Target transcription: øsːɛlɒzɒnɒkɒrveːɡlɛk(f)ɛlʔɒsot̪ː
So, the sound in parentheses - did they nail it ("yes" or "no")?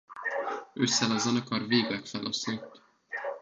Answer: yes